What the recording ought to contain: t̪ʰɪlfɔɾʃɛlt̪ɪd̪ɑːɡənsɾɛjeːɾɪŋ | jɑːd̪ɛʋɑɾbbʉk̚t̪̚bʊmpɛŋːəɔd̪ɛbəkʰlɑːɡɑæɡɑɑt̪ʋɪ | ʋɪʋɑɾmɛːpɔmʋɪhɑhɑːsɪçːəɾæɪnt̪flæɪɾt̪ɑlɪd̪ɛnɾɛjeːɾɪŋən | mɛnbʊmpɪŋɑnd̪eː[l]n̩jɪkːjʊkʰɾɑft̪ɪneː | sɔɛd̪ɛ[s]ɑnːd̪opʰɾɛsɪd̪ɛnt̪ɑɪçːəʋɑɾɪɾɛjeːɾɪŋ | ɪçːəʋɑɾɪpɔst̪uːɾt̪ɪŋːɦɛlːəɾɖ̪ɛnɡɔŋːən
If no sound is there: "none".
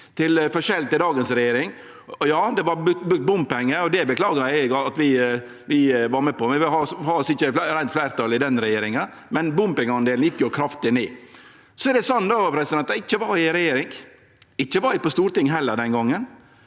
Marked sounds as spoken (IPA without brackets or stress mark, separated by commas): l, s